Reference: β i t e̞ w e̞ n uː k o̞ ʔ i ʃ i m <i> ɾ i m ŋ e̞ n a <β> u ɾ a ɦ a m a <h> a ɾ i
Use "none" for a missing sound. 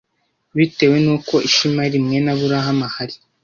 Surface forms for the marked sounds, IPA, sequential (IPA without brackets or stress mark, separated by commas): a, β, h